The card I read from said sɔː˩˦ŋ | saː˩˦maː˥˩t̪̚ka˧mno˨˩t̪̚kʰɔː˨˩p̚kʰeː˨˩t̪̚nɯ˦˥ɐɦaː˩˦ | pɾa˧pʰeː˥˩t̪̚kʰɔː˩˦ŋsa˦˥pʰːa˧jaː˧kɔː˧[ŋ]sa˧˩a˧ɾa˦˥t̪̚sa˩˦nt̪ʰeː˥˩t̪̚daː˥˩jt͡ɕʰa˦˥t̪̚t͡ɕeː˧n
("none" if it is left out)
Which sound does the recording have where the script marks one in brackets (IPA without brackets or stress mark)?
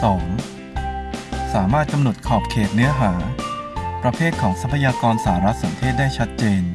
n